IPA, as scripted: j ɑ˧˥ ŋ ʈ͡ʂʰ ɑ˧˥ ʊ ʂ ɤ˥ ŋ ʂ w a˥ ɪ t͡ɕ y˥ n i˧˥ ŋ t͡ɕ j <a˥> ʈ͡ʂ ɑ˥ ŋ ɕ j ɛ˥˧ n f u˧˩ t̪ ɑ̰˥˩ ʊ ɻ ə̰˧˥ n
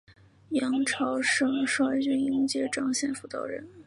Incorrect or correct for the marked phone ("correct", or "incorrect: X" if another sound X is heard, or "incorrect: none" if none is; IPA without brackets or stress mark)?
incorrect: ɛ˥